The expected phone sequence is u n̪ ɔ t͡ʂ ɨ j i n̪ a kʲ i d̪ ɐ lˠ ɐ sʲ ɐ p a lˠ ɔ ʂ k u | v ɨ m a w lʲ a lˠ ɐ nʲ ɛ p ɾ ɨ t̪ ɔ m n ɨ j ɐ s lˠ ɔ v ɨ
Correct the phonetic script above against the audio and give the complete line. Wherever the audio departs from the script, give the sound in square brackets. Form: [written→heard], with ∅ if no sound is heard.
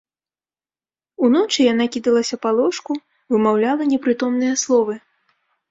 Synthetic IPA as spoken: u n̪ ɔ t͡ʂ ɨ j [i→a] n̪ a kʲ i d̪ ɐ lˠ ɐ sʲ ɐ p a lˠ ɔ ʂ k u | v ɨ m a w lʲ a lˠ ɐ nʲ ɛ p ɾ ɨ t̪ ɔ m n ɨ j ɐ s lˠ ɔ v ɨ